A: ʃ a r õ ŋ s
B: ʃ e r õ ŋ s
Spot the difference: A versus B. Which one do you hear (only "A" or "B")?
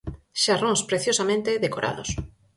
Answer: A